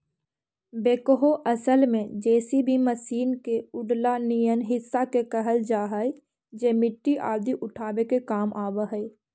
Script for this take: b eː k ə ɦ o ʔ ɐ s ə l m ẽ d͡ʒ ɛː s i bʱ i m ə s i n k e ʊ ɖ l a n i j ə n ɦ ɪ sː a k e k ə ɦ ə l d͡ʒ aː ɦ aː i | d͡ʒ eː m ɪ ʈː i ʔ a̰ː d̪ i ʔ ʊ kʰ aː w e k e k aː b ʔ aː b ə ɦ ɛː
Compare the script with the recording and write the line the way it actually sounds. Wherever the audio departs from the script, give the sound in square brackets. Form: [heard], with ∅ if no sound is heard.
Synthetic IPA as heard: b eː k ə ɦ o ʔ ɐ s ə l m ẽ d͡ʒ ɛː s i bʱ i m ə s [iː] n k e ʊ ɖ l a n i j ə n ɦ ɪ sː a k e k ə ɦ ə l d͡ʒ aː ɦ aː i | d͡ʒ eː m ɪ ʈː i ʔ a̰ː d̪ i ʔ ʊ [ʈʰ] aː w e k e k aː [m] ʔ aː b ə ɦ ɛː